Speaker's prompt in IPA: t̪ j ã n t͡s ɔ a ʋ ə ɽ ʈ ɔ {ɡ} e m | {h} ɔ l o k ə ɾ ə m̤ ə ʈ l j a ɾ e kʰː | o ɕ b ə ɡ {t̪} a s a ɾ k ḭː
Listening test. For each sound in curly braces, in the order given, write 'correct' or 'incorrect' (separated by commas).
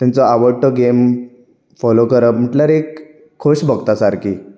correct, incorrect, correct